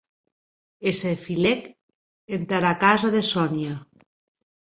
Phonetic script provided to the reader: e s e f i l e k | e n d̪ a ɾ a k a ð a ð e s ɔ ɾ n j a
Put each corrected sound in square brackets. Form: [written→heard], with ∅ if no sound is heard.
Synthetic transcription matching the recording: e s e f i l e k | e n [d̪→t̪] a ɾ a k a [ð→z] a ð e s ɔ [ɾ→∅] n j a